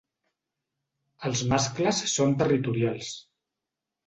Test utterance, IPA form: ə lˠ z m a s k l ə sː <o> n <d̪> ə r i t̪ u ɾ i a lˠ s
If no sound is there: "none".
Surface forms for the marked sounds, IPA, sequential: o, t̪

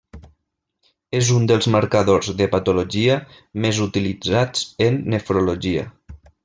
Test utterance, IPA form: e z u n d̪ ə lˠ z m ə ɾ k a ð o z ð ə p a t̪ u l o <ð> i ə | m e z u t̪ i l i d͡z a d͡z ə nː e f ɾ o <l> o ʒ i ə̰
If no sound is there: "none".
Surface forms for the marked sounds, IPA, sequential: ʒ, l

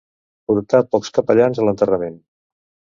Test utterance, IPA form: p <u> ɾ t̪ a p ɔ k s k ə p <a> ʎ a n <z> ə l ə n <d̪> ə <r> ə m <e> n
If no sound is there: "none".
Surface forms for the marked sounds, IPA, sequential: u, ə, z, t̪, r, e

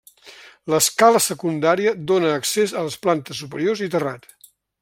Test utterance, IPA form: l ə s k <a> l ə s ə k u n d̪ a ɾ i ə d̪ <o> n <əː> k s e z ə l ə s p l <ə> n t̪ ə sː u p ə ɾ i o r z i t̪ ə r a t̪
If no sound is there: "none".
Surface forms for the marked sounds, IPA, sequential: a, o, əː, a

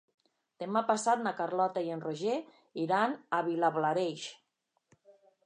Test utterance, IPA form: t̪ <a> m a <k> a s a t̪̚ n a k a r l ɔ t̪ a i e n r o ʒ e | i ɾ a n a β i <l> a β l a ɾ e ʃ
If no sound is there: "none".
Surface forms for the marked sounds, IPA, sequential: e, p, l

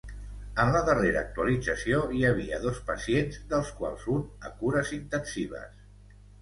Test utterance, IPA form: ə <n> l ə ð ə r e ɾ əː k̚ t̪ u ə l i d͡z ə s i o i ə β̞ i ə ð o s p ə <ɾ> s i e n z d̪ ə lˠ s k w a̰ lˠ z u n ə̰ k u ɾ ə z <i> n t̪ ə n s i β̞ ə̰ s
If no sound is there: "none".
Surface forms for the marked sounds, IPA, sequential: n, none, i

